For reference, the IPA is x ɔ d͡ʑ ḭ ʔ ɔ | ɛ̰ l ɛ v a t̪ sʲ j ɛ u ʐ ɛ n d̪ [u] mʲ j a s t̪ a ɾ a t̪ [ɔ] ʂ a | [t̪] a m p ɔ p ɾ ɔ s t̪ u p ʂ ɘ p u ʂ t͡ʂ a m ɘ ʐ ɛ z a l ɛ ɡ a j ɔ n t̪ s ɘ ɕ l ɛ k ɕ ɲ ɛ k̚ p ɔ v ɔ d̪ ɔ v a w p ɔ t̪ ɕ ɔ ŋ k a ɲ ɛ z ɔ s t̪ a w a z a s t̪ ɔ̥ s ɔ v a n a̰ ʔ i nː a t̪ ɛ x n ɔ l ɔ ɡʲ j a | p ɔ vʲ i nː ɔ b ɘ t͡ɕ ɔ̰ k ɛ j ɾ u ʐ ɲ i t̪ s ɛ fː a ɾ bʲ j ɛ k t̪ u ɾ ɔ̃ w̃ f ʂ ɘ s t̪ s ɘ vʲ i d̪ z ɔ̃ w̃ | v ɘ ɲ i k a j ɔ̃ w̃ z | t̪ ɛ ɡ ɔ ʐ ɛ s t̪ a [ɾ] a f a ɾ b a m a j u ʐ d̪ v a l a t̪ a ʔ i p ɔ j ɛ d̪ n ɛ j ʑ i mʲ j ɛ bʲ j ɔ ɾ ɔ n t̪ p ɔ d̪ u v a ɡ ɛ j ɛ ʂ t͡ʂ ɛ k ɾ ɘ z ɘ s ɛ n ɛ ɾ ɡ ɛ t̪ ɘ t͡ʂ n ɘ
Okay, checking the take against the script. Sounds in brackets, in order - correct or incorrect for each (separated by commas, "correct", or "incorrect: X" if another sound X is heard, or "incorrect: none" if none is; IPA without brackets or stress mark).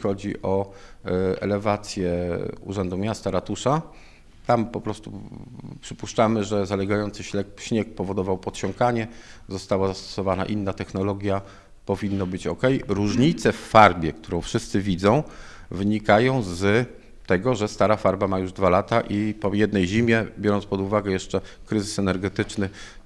correct, incorrect: u, correct, correct